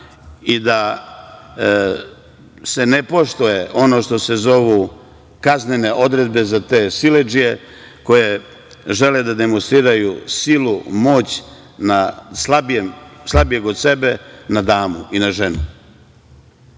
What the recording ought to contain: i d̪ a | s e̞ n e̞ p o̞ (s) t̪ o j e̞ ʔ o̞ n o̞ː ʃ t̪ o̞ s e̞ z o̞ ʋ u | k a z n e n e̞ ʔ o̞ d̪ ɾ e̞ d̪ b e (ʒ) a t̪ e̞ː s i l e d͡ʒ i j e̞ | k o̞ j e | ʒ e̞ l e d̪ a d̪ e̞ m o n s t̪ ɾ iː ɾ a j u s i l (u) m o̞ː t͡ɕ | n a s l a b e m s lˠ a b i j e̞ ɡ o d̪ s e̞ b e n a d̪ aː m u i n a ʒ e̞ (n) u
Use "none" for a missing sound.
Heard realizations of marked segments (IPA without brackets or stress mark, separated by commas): ʃ, z, u, n